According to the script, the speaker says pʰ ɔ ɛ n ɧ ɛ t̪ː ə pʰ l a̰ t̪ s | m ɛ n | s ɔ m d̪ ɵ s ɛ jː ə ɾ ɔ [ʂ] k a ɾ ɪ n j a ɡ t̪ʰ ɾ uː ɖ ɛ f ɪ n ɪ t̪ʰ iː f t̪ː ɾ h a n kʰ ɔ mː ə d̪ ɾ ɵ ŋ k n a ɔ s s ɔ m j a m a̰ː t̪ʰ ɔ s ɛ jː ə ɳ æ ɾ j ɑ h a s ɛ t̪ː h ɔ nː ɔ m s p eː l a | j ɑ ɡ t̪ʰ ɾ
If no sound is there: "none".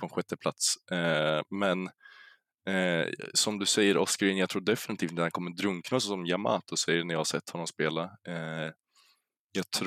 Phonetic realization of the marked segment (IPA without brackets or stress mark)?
s